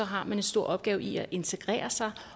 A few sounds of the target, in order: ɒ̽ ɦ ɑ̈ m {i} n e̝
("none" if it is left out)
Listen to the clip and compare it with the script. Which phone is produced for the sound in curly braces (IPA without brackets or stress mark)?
æ